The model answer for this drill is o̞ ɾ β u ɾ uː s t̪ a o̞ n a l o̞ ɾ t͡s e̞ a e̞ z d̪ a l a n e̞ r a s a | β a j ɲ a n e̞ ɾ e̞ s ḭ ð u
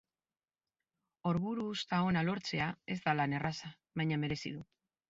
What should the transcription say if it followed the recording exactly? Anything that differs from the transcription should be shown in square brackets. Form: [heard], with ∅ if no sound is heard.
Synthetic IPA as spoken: o̞ ɾ β u ɾ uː s t̪ a o̞ n a l o̞ ɾ t͡s e̞ a e̞ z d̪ a l a n e̞ r a s a | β a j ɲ a [m] e̞ ɾ e̞ s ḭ ð u